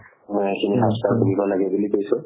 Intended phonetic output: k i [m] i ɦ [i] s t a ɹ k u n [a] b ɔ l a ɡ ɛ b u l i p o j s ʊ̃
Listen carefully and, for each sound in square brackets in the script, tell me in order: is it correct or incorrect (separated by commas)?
incorrect, incorrect, incorrect